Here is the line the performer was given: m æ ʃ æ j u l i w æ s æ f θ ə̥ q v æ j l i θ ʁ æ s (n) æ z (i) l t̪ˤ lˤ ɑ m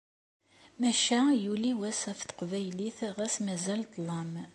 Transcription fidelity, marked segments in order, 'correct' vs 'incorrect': incorrect: m, incorrect: æ

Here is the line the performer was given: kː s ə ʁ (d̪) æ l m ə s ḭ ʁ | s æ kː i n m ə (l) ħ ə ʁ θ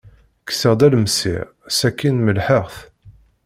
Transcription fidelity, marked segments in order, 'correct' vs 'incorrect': correct, correct

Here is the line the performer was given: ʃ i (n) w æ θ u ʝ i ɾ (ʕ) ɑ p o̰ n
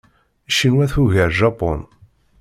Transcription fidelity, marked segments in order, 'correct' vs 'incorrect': correct, incorrect: ʒ

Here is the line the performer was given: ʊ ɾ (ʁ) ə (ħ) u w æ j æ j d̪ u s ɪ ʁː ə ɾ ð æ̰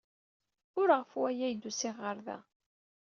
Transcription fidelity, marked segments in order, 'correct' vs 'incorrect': correct, incorrect: f

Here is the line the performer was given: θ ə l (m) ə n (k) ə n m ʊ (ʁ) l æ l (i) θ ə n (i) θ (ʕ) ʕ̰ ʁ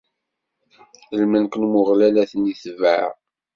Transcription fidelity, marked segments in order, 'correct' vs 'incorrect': correct, correct, correct, incorrect: æ, correct, incorrect: v

